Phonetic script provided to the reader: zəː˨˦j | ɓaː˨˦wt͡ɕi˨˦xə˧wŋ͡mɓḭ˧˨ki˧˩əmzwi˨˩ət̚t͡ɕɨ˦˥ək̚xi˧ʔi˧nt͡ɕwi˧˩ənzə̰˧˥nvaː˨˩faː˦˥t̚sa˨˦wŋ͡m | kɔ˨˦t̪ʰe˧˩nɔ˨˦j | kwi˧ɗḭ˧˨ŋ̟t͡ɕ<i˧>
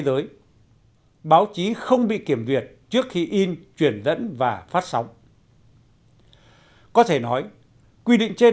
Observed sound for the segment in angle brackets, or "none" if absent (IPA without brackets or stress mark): e˧